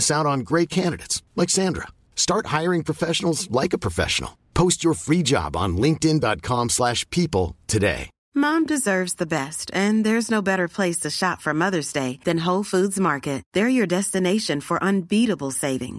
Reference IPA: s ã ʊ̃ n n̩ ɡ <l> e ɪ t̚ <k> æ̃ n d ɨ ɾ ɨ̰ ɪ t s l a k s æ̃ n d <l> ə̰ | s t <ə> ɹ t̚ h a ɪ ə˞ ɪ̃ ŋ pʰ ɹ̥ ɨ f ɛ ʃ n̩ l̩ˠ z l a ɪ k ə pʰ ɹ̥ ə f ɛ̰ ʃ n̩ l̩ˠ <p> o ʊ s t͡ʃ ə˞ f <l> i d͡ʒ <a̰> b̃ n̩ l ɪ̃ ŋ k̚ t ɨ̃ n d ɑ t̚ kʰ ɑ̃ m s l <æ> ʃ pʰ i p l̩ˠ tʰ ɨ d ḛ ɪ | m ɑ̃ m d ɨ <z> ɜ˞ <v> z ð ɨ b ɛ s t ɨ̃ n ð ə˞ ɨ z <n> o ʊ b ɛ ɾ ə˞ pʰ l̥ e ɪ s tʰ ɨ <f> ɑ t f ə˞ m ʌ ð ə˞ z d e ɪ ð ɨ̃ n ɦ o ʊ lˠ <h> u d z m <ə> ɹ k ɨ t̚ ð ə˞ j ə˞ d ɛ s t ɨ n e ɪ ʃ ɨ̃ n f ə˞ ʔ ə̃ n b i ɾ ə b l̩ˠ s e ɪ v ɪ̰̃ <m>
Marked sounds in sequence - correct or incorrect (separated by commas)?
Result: incorrect, incorrect, incorrect, incorrect, incorrect, incorrect, incorrect, correct, correct, correct, correct, incorrect, incorrect, incorrect, incorrect